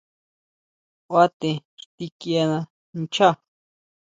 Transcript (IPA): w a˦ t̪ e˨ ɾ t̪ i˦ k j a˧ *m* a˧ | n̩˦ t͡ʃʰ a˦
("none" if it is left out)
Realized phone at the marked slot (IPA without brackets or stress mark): n